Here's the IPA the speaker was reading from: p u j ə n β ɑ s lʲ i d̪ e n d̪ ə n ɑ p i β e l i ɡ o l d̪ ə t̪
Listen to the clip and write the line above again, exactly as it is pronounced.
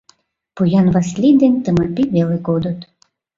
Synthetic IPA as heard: p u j ɑ n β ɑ s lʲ i d̪ e n t̪ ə m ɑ p i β e l e ɡ o d̪ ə t̪